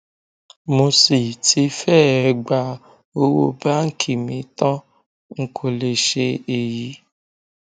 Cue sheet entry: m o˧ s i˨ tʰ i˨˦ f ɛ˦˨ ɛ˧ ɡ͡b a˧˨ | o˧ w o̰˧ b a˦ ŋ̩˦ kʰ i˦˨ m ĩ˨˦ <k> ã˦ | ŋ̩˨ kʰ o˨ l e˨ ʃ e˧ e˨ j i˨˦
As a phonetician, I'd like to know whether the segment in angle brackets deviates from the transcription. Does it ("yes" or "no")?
yes